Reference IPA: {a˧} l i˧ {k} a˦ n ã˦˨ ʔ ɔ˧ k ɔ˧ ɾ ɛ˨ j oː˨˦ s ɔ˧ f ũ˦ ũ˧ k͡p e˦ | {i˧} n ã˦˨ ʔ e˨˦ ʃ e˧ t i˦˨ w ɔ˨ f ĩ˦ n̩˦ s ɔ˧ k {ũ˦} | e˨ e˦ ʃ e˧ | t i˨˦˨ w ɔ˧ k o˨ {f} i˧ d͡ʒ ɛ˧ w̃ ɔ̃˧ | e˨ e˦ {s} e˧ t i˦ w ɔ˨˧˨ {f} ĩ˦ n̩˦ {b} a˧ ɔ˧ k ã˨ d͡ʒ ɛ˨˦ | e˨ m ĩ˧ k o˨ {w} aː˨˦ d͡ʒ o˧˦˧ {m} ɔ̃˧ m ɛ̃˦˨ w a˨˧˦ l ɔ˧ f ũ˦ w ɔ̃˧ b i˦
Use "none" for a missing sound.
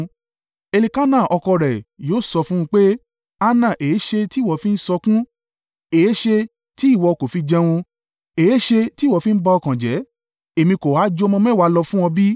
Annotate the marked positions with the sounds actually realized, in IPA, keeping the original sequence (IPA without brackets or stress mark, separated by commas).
e˧, k, a˧, ũ˦, f, ʃ, f, b, w, m